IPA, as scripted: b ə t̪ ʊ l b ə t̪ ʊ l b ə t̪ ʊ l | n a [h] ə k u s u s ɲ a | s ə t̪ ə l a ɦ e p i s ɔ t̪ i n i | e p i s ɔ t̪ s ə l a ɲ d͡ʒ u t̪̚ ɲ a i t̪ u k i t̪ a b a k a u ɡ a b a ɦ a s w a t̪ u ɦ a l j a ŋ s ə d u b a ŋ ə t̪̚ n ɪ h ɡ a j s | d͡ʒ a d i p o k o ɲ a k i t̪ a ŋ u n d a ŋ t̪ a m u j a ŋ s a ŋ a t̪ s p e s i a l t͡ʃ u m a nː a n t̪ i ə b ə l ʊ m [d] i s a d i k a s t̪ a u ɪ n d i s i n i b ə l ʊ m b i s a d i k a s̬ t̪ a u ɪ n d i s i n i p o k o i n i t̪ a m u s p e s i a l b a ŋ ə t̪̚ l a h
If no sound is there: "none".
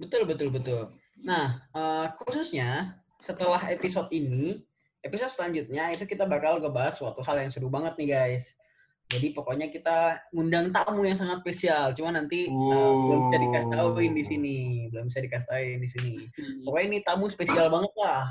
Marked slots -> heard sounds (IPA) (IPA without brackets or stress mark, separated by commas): h, b